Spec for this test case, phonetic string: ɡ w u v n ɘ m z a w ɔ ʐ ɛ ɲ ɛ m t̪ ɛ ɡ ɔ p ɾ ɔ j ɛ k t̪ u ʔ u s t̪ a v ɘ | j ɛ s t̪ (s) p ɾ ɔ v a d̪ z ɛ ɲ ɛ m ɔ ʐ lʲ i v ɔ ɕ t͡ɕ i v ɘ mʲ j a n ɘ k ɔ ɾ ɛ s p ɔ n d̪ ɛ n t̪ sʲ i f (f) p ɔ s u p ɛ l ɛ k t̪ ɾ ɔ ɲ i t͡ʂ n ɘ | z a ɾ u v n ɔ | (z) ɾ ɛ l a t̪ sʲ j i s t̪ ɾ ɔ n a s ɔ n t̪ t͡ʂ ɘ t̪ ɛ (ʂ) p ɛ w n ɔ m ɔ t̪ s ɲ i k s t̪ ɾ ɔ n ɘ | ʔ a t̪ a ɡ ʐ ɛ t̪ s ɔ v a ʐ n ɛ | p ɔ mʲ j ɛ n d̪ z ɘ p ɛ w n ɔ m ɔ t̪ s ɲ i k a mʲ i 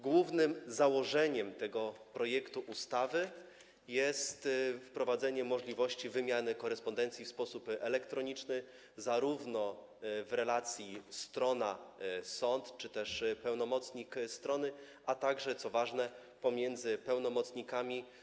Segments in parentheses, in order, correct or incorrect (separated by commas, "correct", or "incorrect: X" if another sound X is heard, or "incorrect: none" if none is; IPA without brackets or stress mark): incorrect: f, incorrect: s, incorrect: v, correct